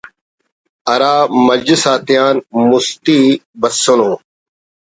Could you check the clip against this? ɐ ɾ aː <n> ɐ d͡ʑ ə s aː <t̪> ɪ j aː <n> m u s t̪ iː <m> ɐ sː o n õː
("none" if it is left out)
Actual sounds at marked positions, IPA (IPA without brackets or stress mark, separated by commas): m, t̪, n, b